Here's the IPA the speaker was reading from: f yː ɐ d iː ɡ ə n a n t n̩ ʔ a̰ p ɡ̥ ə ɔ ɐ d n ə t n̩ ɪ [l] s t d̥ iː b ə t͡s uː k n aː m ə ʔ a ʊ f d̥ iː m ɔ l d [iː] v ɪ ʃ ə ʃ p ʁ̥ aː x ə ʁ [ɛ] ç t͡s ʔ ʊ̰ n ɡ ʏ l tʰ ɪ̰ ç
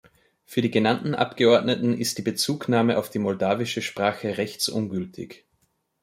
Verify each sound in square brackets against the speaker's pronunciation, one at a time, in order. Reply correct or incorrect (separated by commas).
incorrect, incorrect, correct